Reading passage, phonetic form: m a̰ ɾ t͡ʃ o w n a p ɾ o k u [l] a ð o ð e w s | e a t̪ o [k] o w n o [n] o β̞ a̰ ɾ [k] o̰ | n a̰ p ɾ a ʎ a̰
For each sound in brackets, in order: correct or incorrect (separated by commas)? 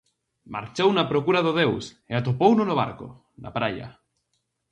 incorrect, incorrect, correct, correct